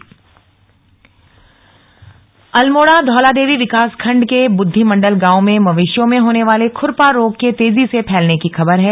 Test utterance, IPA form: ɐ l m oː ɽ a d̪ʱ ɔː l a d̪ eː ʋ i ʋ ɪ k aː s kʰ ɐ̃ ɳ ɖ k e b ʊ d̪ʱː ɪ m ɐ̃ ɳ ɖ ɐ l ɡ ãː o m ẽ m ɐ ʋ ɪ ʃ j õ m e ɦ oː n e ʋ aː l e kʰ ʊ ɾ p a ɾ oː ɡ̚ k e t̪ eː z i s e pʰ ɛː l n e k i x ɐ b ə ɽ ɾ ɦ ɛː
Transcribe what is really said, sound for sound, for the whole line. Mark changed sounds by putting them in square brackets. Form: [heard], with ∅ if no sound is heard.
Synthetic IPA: ɐ l m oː ɽ a d̪ʱ ɔː l a d̪ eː ʋ i ʋ ɪ k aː s kʰ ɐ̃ ɳ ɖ k e b ʊ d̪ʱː [i] m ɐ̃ ɳ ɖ [ə] l ɡ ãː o m ẽ m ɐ ʋ ɪ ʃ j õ m [ẽ] ɦ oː n e ʋ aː l e kʰ ʊ ɾ p a ɾ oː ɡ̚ k e t̪ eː z i s e pʰ ɛː l n e k i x ɐ b ə [∅] ɾ ɦ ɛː